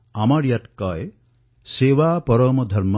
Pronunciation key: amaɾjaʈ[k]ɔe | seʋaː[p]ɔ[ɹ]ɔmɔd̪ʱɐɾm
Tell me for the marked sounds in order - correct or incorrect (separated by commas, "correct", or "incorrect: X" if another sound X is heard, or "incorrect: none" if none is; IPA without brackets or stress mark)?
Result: correct, correct, incorrect: ɾ